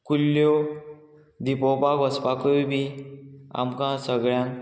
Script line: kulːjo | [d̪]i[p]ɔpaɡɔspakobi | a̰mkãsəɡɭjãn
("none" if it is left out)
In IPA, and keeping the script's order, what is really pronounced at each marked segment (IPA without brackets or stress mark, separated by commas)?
d̪, p